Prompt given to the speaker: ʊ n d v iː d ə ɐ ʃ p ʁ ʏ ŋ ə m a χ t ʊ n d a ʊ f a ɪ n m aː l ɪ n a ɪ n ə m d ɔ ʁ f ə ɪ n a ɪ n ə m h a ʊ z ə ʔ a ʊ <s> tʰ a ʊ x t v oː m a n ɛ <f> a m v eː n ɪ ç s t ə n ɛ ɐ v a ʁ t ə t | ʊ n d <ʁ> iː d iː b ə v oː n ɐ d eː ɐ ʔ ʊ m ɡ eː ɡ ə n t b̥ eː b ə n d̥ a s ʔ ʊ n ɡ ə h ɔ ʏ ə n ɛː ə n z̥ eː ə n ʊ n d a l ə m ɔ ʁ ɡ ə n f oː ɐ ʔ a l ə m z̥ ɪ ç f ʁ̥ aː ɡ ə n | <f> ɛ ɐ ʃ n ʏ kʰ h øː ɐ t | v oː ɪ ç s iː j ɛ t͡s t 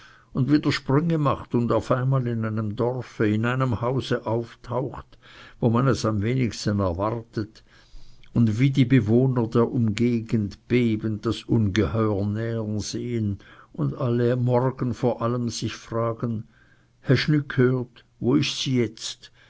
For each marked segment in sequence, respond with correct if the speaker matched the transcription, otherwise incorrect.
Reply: incorrect: f, incorrect: s, incorrect: v, incorrect: h

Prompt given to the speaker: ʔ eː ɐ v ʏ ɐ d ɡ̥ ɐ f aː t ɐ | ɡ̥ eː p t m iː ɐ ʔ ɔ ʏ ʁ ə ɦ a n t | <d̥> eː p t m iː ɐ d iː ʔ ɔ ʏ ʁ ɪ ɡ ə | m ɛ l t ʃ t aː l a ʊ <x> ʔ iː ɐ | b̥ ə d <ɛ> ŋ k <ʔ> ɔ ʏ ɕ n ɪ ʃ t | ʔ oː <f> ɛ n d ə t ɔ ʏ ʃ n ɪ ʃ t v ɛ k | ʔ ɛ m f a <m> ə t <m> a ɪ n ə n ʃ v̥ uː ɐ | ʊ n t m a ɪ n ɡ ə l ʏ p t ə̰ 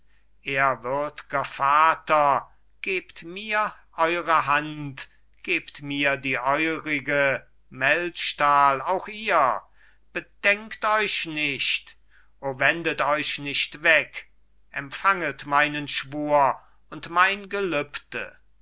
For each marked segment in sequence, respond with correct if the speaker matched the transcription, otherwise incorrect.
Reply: incorrect: ɡ̥, correct, correct, incorrect: t, incorrect: v, incorrect: ŋ, correct

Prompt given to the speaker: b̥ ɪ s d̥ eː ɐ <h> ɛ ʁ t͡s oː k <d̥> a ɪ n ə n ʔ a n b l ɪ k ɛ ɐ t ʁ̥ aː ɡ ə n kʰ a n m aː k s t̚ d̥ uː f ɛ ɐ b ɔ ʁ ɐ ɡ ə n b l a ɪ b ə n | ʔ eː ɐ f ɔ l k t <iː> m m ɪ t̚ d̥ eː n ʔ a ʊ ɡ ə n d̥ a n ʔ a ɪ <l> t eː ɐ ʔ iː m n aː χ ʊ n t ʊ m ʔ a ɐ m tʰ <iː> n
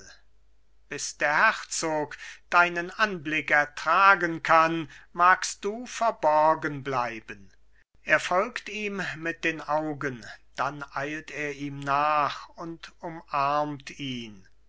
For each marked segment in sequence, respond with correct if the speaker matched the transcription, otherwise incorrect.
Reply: correct, correct, correct, correct, correct

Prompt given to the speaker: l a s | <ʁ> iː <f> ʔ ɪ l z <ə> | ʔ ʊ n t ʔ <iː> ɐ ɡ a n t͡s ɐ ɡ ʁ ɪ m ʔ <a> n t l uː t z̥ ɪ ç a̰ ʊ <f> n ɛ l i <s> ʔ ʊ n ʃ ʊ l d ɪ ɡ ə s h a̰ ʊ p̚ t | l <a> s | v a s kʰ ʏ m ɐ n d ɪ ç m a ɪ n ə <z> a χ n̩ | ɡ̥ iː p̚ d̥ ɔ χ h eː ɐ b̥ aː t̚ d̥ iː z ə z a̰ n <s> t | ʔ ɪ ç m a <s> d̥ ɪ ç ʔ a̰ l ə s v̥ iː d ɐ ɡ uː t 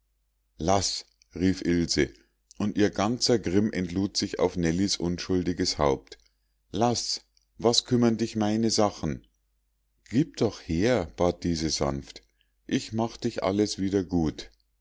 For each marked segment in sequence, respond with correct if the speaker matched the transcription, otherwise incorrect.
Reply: correct, correct, correct, correct, incorrect: ɛ, correct, correct, correct, correct, incorrect: f, incorrect: χ

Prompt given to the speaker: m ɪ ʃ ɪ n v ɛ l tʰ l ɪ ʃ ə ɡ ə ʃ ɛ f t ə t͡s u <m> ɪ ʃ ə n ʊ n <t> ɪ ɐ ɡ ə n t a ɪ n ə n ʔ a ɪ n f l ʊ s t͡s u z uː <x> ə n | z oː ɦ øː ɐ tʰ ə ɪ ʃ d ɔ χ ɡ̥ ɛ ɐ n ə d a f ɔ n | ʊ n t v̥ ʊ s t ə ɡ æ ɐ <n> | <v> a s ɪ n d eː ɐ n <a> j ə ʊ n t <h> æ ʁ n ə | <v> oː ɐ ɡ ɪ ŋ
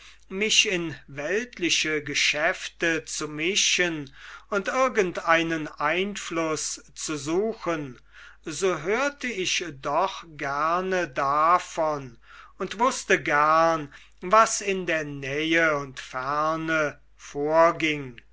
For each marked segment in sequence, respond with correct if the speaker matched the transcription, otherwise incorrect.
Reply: correct, correct, correct, correct, correct, incorrect: ɛ, incorrect: f, incorrect: f

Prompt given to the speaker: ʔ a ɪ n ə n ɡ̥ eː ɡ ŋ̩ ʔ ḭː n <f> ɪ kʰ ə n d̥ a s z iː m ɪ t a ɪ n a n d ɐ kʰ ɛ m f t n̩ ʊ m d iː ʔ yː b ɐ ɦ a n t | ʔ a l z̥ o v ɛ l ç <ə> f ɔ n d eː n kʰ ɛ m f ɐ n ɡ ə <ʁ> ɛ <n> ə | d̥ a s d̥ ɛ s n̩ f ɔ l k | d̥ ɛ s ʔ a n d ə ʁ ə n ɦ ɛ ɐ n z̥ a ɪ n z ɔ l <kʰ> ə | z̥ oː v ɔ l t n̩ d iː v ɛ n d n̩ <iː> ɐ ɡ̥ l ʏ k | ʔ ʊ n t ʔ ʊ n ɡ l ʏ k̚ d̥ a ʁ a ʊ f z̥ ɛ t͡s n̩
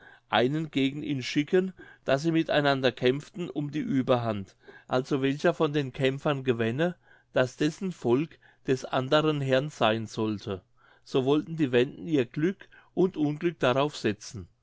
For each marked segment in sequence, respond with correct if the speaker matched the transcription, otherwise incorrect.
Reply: incorrect: ʃ, incorrect: ɐ, incorrect: v, correct, incorrect: tʰ, correct

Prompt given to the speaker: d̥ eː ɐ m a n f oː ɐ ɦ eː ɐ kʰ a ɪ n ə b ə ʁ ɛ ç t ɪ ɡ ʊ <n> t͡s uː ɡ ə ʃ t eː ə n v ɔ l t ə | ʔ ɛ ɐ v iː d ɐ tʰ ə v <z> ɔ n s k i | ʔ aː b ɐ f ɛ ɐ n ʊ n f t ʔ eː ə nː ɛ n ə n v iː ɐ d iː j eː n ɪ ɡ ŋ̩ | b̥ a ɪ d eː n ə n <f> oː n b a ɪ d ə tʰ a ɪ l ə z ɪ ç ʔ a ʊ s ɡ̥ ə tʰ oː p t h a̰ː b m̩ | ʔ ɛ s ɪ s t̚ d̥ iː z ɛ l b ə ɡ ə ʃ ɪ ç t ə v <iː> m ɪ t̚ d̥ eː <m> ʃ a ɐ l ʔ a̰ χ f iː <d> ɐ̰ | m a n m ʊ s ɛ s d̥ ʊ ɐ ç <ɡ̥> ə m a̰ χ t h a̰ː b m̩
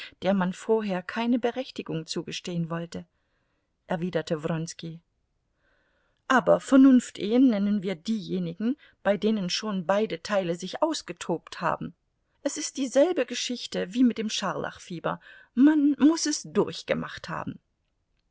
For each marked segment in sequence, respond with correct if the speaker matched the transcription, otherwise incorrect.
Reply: incorrect: ŋ, incorrect: ʁ, incorrect: ʃ, correct, correct, incorrect: b, correct

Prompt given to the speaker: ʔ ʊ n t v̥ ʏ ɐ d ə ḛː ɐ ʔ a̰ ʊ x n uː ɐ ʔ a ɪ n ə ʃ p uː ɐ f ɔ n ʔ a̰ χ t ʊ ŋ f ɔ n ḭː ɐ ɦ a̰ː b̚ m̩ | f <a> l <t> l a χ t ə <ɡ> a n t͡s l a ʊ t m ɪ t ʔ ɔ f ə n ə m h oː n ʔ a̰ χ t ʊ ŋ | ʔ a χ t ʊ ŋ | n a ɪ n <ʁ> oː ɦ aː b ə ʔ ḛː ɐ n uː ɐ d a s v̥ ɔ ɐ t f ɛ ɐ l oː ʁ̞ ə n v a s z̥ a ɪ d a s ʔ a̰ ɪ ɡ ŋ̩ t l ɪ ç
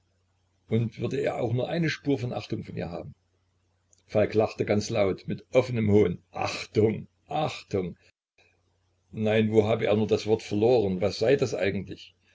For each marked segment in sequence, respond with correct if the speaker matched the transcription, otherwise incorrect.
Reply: correct, incorrect: k, correct, incorrect: v

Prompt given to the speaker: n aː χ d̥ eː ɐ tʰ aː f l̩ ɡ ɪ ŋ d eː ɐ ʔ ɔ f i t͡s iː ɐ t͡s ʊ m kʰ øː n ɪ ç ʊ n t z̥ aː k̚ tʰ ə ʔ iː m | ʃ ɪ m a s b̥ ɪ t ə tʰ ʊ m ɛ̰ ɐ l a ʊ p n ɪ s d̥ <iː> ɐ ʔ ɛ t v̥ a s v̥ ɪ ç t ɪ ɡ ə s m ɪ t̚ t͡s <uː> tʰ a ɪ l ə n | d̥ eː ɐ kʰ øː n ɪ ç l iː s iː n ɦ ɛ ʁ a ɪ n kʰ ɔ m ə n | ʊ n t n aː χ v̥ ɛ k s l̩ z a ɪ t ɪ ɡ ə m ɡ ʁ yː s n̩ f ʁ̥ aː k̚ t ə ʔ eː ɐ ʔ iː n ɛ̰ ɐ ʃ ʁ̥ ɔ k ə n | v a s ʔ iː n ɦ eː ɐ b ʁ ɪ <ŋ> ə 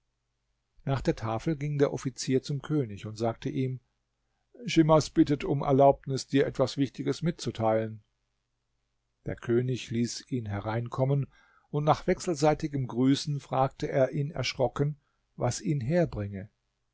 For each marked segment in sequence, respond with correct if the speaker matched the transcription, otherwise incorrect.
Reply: correct, incorrect: u, correct

